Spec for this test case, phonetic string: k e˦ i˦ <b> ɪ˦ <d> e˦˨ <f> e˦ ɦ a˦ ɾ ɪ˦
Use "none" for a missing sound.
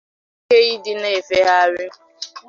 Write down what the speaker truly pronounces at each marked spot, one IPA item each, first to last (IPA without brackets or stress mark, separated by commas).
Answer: d, n, f